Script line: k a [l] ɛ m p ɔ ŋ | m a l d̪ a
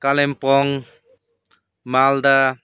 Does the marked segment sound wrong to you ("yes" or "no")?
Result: no